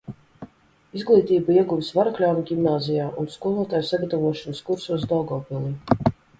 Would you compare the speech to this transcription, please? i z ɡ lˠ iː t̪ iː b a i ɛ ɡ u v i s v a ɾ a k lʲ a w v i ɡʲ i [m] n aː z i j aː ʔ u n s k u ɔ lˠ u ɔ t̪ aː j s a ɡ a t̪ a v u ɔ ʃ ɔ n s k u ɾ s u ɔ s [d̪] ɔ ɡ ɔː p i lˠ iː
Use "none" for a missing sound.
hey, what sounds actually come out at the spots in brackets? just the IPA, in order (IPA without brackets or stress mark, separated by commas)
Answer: m, d̪